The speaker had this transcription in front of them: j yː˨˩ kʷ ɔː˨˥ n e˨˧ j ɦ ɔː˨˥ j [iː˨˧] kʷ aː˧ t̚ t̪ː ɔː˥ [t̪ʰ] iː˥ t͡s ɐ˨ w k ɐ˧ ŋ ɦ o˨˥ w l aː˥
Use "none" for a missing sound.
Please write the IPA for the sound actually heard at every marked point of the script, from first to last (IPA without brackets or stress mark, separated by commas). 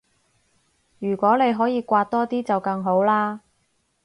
iː˨˧, t̪